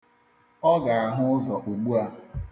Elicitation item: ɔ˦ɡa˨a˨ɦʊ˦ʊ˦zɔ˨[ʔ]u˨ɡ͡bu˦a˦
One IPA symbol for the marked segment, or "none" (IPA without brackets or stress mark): ʔ